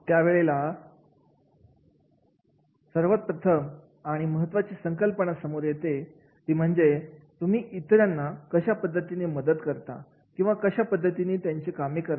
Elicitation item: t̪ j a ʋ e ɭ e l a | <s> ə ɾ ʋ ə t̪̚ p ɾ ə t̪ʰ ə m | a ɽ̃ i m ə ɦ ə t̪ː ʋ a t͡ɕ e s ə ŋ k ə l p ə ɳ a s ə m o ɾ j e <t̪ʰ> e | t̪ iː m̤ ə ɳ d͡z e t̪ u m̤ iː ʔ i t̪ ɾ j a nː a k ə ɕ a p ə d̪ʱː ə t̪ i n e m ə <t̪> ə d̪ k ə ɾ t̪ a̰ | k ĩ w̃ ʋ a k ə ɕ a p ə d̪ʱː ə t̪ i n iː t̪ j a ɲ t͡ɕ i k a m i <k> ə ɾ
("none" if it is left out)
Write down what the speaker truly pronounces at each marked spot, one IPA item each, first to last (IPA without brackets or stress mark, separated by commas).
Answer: s, t̪, d̪, k